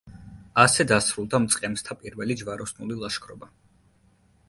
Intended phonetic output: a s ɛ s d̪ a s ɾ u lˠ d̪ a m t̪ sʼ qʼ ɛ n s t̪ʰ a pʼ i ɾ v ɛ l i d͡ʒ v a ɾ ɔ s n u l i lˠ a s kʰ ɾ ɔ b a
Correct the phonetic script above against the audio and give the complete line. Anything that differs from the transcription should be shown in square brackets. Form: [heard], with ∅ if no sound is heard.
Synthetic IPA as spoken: a s ɛ [∅] d̪ a s ɾ u lˠ d̪ a m t̪ sʼ qʼ ɛ [m] s t̪ʰ a pʼ i ɾ v ɛ l i d͡ʒ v a ɾ ɔ s n u l i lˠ a [ʃ] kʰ ɾ ɔ b a